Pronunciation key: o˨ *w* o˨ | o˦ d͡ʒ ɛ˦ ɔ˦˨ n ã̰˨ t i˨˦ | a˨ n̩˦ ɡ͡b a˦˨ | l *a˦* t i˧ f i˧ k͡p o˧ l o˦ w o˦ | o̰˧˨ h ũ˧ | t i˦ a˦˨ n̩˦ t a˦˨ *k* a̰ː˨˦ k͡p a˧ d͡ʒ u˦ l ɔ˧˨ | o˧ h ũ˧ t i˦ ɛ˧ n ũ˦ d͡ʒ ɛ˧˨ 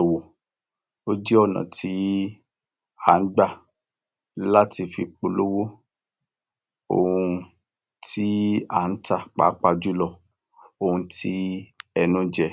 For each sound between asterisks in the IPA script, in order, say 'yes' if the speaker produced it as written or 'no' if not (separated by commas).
yes, yes, no